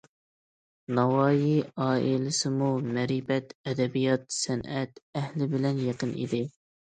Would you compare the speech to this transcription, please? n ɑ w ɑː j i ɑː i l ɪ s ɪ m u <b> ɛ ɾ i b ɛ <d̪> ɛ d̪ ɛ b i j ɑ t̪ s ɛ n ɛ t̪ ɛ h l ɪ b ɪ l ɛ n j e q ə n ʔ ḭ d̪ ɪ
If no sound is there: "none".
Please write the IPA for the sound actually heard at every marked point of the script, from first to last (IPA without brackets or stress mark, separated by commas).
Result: m, t̪